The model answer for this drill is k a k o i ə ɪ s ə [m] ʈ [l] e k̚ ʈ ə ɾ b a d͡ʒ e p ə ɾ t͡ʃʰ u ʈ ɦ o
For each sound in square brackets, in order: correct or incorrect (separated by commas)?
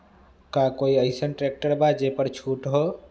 incorrect, incorrect